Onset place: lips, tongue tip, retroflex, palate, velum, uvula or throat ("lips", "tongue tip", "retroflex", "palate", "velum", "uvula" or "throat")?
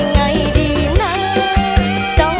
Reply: velum